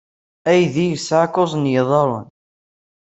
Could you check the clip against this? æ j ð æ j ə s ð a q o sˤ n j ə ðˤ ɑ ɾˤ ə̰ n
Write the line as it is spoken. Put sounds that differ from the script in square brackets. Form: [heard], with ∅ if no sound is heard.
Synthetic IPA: æ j ð [i] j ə s [ʕ] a [k] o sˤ n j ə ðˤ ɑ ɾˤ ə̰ n

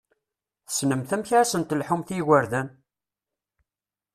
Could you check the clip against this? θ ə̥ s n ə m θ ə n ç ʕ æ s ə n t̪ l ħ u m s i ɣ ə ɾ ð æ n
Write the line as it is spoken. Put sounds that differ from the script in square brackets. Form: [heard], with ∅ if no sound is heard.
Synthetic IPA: θ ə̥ s n ə m θ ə [m] ç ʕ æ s ə n t̪ l ħ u m [θ] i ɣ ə ɾ ð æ n

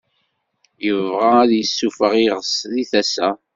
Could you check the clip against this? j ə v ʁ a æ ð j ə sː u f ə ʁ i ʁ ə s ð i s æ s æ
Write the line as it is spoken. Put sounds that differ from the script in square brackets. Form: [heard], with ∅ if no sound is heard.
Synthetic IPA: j ə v ʁ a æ ð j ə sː u f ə ʁ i ʁ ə s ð i [θ] æ s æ

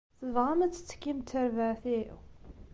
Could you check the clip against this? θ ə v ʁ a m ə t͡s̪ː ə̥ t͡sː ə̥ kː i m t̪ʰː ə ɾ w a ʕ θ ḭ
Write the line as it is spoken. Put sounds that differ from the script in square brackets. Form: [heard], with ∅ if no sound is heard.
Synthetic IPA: θ ə v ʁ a m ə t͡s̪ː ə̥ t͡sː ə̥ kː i m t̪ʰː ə ɾ [v] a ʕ θ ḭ

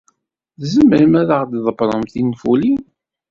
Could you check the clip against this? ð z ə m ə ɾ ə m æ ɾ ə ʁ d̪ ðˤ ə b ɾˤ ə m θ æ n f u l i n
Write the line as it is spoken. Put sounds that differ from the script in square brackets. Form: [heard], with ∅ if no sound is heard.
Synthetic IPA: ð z ə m ə ɾ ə m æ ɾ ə ʁ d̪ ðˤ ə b ɾˤ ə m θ [i] n f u l i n

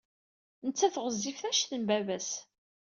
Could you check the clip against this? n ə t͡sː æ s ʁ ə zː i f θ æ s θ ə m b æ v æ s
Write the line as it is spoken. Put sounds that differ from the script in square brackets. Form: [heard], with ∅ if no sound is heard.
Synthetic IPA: n ə t͡sː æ [θ] ʁ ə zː i f θ æ [ʃ] θ ə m b æ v æ s

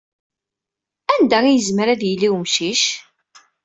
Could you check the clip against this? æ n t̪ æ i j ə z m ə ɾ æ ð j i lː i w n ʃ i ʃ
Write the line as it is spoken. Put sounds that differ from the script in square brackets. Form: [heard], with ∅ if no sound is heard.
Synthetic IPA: æ n [d̪] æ i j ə z m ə ɾ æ ð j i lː i w [m] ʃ i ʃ

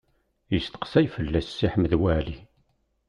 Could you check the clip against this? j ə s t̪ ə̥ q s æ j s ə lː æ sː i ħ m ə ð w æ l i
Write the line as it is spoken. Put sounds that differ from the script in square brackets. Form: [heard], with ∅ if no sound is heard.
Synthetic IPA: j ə s t̪ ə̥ q s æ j [f] ə lː æ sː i ħ m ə ð w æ l i

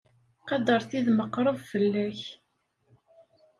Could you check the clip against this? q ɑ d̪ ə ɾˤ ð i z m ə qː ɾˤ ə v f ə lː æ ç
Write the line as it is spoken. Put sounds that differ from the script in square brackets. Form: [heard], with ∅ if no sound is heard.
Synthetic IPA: q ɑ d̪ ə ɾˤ [θ] i [ð] m ə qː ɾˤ ə v f ə lː æ ç

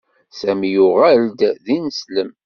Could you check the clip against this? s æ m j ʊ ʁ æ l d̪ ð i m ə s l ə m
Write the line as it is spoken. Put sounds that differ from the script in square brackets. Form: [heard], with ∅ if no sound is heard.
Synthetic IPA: s æ m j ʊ ʁ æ l d̪ ð i [n] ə s l ə m

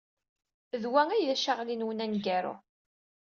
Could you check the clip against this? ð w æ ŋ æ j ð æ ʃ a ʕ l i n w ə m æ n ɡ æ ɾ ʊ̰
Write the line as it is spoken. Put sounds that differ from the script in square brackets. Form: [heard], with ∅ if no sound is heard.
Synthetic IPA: ð w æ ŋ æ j ð æ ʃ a [ʁ] l i n w ə [n] æ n ɡ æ ɾ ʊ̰

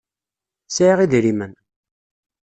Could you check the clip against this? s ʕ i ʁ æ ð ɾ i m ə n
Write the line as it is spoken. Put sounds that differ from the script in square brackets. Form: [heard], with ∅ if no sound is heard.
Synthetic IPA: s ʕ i ʁ [i] ð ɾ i m ə n

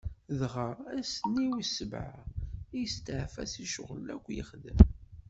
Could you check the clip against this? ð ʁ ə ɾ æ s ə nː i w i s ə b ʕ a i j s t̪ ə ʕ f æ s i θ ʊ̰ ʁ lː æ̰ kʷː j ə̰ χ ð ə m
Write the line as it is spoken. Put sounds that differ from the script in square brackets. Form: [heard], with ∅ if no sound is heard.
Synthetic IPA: ð ʁ ə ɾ æ s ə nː i w i s ə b ʕ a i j s t̪ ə ʕ f æ s i [ʃ] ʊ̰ ʁ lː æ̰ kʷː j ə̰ χ ð ə m

